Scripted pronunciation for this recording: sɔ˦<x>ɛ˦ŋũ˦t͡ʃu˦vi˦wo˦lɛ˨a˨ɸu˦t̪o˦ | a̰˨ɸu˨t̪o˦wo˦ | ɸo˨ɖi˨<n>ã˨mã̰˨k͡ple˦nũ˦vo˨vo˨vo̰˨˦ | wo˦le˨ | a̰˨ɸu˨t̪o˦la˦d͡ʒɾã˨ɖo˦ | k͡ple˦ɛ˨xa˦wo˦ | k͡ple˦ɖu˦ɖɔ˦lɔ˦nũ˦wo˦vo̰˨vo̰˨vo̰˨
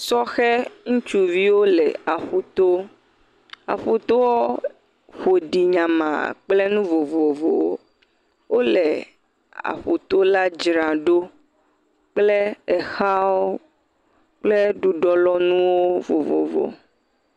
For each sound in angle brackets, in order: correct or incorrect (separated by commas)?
correct, incorrect